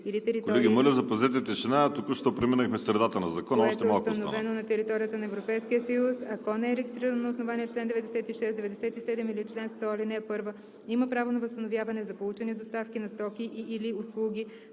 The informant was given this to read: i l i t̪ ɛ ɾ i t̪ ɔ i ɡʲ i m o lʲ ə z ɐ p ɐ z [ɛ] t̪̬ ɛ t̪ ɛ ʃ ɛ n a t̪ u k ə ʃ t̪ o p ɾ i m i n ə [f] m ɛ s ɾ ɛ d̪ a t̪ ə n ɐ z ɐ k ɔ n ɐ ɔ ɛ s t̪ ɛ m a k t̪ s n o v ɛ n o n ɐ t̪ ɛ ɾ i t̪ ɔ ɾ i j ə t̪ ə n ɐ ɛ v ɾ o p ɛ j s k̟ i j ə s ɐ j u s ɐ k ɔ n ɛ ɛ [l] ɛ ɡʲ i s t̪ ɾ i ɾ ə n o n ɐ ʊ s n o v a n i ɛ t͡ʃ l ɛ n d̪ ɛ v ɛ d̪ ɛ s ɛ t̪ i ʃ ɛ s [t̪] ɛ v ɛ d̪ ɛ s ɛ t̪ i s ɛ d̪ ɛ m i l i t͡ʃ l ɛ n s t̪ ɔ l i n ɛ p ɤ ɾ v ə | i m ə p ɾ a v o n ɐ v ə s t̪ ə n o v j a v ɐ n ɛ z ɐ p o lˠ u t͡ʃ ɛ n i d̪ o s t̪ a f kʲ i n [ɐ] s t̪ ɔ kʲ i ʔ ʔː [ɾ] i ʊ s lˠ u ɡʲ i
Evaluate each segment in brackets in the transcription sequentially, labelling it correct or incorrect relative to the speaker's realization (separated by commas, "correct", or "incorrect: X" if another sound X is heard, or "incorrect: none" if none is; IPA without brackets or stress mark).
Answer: correct, incorrect: x, incorrect: ɾ, incorrect: d̪, correct, incorrect: l